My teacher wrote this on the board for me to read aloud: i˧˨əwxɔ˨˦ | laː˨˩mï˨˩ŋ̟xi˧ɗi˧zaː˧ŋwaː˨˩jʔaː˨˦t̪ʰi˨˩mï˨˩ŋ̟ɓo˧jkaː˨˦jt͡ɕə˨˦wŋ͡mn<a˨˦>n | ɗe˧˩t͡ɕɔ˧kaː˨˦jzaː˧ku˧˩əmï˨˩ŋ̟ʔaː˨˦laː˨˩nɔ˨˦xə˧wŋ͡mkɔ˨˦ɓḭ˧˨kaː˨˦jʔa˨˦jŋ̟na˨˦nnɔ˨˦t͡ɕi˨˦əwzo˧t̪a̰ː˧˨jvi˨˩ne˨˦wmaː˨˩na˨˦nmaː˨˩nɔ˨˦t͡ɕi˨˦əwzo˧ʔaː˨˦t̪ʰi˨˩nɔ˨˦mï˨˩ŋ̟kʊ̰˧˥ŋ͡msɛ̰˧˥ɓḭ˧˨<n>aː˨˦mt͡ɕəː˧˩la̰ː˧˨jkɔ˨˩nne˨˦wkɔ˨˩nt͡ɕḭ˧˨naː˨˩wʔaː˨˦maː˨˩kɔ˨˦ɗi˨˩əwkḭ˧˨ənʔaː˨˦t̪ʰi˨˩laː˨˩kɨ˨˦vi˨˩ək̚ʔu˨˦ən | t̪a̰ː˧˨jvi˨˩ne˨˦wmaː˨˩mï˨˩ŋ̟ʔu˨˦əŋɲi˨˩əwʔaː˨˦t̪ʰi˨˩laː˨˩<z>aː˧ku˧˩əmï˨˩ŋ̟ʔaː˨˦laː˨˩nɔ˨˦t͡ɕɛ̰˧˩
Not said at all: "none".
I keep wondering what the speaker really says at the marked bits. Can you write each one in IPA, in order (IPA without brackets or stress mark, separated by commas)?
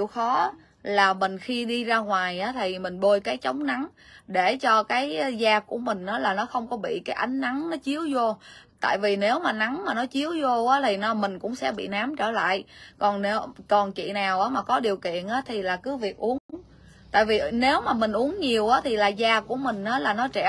a˨˦, n, z